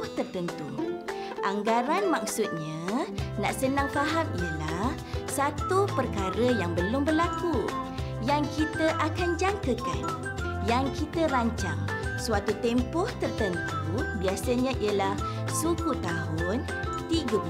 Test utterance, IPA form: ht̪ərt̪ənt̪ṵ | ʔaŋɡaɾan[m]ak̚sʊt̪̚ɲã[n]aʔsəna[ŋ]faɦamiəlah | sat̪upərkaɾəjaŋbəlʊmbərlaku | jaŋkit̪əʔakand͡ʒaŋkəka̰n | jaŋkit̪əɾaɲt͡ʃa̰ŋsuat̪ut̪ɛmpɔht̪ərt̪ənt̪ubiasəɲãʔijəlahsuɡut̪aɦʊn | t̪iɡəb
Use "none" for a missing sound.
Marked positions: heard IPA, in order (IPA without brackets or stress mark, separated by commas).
m, n, ŋ